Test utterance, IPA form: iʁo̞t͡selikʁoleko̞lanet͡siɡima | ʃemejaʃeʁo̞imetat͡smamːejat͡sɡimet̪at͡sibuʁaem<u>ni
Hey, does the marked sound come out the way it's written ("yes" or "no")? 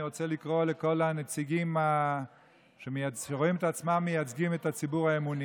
yes